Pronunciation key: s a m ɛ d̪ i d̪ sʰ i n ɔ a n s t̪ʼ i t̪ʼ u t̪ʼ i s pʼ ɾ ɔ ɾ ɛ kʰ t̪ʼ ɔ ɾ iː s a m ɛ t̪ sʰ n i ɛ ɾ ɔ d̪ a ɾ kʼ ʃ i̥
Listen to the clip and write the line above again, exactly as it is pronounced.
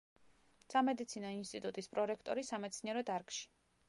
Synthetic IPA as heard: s a m ɛ d̪ i t̪ sʰ i n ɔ i n s t̪ʼ i t̪ʼ u t̪ʼ i s pʼ ɾ ɔ ɾ ɛ kʰ t̪ʼ ɔ ɾ i s a m ɛ t̪ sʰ n i ɛ ɾ ɔ d̪ a ɾ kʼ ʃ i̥